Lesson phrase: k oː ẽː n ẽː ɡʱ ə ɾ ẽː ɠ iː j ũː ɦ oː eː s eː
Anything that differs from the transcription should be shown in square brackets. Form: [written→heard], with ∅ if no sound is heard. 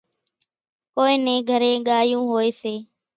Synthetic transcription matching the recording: k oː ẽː n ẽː ɡʱ ə ɾ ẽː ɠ [iː→aː] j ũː ɦ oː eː s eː